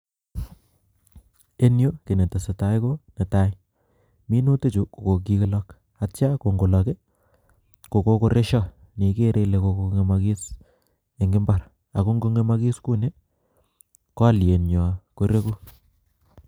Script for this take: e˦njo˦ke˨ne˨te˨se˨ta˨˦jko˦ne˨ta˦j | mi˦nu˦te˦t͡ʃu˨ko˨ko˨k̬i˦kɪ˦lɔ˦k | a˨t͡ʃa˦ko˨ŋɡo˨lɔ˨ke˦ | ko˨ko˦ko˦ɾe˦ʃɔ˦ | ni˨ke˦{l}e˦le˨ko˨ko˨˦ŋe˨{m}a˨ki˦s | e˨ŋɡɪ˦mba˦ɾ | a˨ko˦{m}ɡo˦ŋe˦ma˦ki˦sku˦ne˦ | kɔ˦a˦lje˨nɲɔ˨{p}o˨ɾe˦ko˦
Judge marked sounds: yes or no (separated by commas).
no, yes, no, no